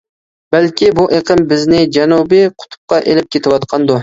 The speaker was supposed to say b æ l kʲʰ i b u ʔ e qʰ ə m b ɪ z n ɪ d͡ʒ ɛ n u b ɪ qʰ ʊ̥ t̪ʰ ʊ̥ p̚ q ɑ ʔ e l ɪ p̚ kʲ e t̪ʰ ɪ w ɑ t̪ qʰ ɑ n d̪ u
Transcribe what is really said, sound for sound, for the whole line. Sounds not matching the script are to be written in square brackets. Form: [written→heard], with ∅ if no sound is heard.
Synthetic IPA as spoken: b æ l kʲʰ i b u ʔ e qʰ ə m b ɪ z n ɪ d͡ʒ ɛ n u b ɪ qʰ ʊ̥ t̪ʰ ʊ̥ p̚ q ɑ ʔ e l ɪ p̚ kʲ e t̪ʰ ɪ w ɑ t̪ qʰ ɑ n d̪ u

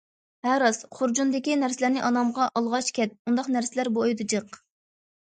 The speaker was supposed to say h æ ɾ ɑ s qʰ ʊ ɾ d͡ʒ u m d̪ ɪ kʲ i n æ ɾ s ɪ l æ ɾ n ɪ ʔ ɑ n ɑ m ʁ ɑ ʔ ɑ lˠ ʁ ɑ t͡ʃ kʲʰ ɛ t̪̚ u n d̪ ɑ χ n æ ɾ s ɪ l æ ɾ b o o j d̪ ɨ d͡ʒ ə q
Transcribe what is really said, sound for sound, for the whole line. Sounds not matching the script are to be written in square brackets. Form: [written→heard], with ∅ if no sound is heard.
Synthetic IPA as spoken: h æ ɾ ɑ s qʰ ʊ ɾ d͡ʒ u [m→n] d̪ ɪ kʲ i n æ ɾ s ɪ l æ ɾ n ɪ ʔ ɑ n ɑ m ʁ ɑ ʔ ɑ lˠ ʁ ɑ t͡ʃ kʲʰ ɛ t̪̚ u n d̪ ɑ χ n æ ɾ s ɪ l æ ɾ b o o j d̪ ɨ d͡ʒ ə q

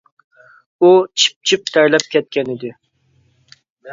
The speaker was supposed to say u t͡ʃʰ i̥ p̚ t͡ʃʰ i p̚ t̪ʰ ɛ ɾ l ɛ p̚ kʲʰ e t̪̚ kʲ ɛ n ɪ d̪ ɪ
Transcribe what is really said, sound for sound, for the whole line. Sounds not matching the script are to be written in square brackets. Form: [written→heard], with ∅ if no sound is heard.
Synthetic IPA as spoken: u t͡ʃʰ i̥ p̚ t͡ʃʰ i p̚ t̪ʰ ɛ ɾ l ɛ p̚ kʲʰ [e→ɛ] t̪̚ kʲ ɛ n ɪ d̪ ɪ

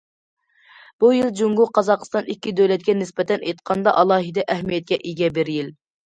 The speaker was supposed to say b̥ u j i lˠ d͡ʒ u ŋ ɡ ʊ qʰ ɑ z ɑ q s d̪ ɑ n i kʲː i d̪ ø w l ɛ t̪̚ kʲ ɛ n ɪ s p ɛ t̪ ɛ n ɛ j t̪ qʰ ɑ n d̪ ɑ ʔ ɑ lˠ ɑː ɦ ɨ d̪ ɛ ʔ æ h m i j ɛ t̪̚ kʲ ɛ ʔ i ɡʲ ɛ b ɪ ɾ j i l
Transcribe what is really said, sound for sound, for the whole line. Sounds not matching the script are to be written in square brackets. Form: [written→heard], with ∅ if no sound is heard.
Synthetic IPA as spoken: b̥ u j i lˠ d͡ʒ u ŋ ɡ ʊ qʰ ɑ z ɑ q s [d̪→t̪] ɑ n i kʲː i d̪ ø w l ɛ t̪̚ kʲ ɛ n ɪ s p ɛ t̪ ɛ n [ɛ→e] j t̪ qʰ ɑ n d̪ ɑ ʔ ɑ lˠ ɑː ɦ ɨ d̪ ɛ ʔ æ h m i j ɛ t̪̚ kʲ ɛ ʔ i ɡʲ ɛ b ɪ ɾ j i l

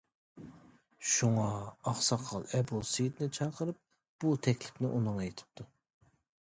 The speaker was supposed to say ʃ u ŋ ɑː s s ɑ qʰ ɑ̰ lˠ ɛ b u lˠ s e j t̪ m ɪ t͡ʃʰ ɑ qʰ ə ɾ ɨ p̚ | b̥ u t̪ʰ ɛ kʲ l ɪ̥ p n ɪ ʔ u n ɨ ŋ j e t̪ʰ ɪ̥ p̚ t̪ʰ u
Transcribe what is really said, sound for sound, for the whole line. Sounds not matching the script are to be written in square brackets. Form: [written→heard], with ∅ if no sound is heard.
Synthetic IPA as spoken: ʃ u ŋ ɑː [s→χ] s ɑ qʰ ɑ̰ lˠ ɛ b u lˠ s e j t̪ [m→n] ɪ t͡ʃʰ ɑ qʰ ə ɾ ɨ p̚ | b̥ u t̪ʰ ɛ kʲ l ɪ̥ p n ɪ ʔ u n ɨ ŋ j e t̪ʰ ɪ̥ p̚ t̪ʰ u

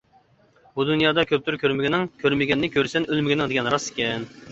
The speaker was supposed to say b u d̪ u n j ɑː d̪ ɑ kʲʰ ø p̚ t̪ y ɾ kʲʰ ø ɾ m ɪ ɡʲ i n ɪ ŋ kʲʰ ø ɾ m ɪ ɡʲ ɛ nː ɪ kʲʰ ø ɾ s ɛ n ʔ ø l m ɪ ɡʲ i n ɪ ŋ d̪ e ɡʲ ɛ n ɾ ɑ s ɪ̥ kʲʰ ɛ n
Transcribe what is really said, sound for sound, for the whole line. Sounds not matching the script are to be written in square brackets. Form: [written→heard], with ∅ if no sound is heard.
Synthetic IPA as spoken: b u d̪ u n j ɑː d̪ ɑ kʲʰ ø p̚ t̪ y ɾ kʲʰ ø ɾ m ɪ ɡʲ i n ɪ ŋ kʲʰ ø ɾ m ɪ ɡʲ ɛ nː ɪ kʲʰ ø ɾ s ɛ n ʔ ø l m ɪ ɡʲ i n ɪ ŋ d̪ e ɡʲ ɛ n ɾ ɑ s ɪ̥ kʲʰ ɛ n

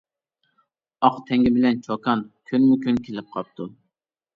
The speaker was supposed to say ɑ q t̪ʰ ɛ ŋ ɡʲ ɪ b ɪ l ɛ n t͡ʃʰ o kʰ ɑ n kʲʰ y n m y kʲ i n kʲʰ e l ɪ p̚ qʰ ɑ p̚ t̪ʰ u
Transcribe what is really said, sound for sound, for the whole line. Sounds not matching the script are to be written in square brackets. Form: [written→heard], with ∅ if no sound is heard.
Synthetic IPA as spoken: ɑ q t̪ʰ ɛ ŋ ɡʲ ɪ b ɪ l ɛ n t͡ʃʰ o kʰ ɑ n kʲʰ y n m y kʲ [i→y] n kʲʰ e l ɪ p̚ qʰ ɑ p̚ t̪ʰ u

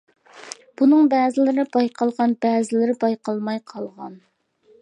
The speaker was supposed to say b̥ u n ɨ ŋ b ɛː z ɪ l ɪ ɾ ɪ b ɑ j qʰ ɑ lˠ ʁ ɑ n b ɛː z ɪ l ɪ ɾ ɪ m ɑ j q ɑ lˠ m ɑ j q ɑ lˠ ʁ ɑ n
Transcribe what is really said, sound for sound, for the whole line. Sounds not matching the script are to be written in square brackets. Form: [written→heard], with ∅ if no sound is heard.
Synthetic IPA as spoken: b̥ u n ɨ ŋ b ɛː z ɪ l ɪ ɾ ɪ b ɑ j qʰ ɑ lˠ ʁ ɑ n b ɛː z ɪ l ɪ ɾ ɪ [m→b] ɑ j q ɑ lˠ m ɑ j [q→qʰ] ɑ lˠ ʁ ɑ n

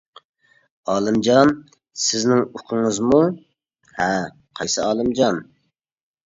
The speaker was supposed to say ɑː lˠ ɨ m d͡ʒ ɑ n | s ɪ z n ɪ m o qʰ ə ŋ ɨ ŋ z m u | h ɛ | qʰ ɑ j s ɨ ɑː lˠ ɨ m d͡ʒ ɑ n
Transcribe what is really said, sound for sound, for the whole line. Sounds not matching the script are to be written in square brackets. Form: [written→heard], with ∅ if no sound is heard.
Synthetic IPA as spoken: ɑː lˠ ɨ m d͡ʒ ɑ n | s ɪ z n ɪ [m→ŋ] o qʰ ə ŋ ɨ [ŋ→∅] z m u | h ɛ | qʰ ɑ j s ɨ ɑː lˠ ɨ m d͡ʒ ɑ n

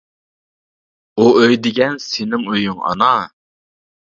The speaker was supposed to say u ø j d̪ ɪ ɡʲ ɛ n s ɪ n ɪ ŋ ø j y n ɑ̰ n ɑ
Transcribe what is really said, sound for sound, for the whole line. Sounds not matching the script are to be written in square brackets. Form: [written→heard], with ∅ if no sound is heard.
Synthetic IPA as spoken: u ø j d̪ ɪ ɡʲ ɛ n s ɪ n ɪ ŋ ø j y [n→ŋ] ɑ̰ n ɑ

